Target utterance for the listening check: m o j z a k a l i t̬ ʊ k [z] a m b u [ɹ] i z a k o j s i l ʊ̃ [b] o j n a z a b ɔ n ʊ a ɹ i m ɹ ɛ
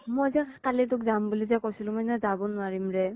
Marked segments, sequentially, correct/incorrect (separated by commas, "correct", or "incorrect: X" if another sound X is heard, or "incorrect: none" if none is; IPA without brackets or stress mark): correct, incorrect: l, incorrect: m